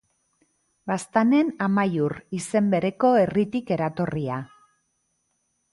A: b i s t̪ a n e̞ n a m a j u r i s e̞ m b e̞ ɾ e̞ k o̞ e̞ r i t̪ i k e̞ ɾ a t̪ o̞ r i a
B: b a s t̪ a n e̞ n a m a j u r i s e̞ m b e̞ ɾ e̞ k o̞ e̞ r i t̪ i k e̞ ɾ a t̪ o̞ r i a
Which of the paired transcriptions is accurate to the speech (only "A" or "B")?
B